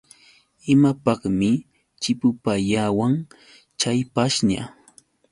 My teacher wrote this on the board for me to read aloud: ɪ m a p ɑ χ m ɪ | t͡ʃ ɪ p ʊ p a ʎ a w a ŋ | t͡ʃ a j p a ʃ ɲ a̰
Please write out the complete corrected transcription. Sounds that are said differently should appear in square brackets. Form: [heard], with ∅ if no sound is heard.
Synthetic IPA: ɪ m a p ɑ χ m ɪ | t͡ʃ ɪ p ʊ p a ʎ a w a ŋ | t͡ʃ a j p a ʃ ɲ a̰